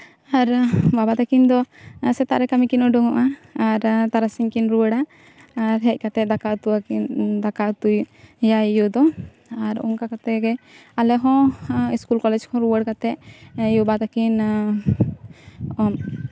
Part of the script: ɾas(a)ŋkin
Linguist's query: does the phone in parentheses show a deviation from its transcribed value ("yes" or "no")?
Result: yes